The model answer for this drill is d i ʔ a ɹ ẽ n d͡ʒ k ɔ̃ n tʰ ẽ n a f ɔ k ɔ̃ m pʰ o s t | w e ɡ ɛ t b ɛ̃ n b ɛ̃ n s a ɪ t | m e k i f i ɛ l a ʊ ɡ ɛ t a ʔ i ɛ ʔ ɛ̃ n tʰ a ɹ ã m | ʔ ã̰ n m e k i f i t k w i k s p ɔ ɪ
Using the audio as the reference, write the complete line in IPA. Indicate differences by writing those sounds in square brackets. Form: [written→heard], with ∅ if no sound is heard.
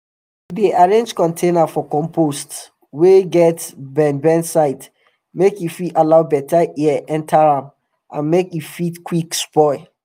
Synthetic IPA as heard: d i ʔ a ɹ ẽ n d͡ʒ k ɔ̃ n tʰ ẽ n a f ɔ k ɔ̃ m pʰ o s t | w e ɡ ɛ t b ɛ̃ n b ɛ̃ n s a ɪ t | m e k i f i [ɛ→a] l a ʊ [ɡ→b] ɛ t a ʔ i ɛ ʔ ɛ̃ n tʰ a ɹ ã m | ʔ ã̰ n m e k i f i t k w i k s p ɔ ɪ